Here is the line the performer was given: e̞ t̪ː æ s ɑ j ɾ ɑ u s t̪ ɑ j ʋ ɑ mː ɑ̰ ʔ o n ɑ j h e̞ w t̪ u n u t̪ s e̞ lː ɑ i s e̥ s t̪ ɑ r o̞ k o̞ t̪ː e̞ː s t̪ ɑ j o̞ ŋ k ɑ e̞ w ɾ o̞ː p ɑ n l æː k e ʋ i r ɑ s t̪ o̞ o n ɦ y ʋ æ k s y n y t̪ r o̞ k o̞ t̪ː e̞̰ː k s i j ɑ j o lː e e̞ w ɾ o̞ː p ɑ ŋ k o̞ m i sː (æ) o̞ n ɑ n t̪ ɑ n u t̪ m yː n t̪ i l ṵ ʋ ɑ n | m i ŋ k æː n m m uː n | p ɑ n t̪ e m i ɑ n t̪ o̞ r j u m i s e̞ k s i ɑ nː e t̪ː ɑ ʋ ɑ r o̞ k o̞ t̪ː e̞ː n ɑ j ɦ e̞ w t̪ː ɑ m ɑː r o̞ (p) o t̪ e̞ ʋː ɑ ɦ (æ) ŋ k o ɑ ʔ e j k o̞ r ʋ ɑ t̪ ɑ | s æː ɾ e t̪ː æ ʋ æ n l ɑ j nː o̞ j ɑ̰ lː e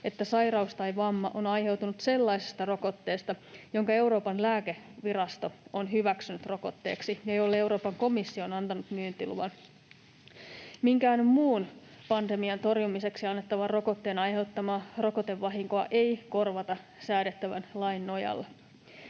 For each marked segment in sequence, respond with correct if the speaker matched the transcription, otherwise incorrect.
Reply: incorrect: i, incorrect: k, incorrect: i

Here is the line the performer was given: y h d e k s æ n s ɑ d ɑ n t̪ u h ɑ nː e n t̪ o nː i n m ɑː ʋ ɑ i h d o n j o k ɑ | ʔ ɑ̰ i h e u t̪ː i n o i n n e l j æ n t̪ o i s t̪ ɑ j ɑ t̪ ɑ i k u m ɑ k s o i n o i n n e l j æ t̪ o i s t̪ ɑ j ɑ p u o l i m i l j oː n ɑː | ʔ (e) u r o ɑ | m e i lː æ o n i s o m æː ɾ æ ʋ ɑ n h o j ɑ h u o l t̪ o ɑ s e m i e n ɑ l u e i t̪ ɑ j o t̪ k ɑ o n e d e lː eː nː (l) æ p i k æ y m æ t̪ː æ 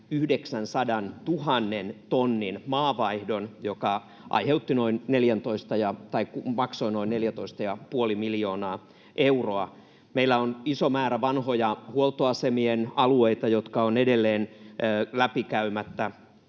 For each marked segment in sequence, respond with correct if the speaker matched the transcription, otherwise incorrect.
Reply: correct, correct

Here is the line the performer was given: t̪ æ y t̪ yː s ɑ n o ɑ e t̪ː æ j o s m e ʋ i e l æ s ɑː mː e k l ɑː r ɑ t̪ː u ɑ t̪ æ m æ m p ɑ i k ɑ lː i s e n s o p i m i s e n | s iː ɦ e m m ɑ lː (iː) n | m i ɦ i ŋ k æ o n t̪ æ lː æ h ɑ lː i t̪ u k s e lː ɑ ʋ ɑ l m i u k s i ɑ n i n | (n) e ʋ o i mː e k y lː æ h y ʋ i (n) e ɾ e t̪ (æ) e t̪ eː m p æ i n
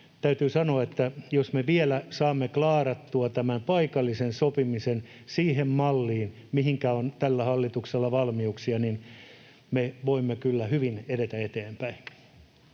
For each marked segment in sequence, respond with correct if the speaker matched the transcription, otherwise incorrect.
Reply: correct, incorrect: m, correct, correct

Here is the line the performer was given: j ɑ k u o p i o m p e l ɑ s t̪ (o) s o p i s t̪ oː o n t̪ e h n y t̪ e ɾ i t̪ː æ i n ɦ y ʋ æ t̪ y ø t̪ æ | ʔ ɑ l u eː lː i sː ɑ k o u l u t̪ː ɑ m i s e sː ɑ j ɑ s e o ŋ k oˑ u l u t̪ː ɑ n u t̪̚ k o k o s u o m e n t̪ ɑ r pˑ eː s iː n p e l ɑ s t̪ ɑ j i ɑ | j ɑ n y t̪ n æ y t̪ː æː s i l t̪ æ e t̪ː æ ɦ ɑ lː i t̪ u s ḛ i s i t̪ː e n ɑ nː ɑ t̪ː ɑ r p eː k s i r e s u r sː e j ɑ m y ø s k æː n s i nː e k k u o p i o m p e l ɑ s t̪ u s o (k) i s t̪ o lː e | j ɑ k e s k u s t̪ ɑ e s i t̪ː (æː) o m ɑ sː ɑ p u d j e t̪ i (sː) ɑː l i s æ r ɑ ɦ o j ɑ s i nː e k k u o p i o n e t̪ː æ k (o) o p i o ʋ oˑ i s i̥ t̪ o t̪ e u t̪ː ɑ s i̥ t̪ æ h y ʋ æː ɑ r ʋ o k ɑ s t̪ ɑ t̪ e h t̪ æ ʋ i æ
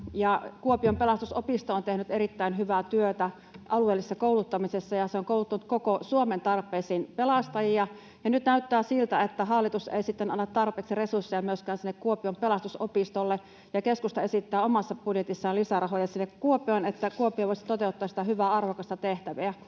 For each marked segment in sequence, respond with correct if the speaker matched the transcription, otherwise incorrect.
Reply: incorrect: u, incorrect: p, correct, correct, incorrect: u

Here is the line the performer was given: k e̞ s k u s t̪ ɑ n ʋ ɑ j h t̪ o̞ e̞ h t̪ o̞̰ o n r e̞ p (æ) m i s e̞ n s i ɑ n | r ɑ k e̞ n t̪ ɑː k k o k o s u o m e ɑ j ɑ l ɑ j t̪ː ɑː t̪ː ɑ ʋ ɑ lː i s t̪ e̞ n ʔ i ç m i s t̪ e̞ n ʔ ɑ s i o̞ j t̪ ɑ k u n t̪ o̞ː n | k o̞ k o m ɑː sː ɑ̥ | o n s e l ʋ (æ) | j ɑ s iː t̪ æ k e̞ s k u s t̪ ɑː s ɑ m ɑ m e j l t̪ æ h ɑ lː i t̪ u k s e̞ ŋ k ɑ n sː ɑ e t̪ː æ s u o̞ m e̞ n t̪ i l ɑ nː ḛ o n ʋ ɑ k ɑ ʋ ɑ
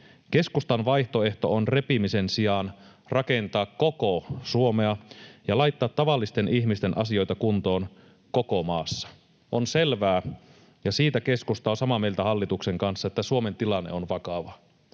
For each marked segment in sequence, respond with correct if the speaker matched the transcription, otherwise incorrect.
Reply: incorrect: i, incorrect: æː

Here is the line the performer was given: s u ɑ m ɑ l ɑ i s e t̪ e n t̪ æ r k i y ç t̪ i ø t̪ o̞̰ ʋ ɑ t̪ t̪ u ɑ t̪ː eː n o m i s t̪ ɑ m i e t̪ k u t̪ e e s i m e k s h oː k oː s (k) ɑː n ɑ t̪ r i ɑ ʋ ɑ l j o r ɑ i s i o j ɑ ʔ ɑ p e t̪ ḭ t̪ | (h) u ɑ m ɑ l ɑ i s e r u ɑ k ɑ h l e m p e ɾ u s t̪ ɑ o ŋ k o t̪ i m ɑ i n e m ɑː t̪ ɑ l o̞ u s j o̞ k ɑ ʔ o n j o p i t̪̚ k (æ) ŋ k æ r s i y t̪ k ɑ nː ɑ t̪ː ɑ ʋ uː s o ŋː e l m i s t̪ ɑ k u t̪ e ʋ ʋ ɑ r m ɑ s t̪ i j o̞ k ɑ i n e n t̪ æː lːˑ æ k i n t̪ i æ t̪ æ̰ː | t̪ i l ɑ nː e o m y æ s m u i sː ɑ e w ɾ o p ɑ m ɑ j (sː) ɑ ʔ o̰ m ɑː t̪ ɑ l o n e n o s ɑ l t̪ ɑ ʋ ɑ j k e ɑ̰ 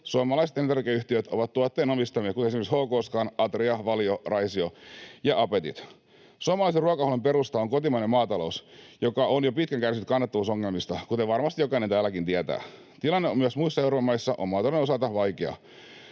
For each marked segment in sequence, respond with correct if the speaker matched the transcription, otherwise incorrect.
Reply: correct, incorrect: s, correct, correct

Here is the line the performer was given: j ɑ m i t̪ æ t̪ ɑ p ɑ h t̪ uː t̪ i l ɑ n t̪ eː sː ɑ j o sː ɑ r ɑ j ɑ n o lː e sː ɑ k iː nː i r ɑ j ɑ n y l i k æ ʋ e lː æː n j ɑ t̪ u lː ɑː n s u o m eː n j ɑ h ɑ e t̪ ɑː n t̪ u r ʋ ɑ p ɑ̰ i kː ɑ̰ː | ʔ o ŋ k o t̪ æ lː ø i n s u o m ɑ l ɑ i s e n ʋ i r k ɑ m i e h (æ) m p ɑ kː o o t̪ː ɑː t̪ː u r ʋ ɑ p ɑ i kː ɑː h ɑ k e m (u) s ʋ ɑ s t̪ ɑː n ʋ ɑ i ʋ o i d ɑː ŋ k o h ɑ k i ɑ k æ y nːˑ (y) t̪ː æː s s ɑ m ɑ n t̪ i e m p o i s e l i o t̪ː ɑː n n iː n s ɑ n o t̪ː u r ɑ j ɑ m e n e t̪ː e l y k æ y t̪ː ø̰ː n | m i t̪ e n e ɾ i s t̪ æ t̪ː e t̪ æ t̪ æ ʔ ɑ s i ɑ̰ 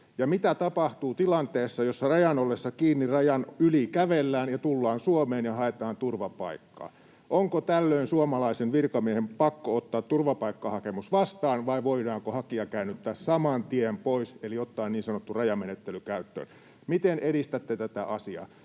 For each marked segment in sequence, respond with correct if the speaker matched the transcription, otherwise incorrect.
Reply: incorrect: e, correct, correct

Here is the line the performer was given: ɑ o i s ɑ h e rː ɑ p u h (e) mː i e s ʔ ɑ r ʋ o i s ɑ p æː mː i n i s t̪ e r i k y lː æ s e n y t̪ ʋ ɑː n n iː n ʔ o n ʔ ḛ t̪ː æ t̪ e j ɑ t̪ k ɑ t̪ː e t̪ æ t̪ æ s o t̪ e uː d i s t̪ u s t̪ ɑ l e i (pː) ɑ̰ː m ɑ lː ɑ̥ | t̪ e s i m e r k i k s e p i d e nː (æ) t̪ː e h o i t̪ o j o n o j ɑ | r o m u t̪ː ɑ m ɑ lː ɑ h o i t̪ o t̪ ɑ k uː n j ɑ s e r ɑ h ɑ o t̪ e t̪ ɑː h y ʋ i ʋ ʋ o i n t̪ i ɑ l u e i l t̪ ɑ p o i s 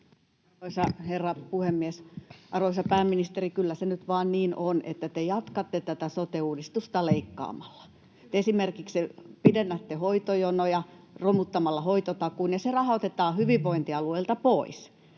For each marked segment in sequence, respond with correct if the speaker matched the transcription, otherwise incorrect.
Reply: correct, incorrect: kː, correct

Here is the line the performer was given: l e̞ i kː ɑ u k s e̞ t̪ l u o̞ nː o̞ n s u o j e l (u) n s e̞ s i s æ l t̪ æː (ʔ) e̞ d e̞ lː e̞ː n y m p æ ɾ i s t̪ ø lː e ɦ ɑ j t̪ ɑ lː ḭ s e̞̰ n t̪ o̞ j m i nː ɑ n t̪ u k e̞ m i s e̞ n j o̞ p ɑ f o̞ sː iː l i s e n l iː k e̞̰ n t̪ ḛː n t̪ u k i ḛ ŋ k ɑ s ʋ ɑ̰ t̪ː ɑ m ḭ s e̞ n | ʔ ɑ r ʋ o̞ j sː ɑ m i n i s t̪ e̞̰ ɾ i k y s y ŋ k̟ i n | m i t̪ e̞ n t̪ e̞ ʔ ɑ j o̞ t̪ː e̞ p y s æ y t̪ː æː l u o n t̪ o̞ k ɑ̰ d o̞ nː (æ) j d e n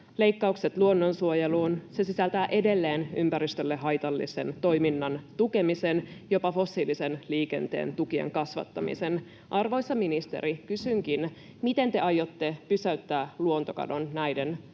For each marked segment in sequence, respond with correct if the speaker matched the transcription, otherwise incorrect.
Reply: incorrect: uː, correct, correct

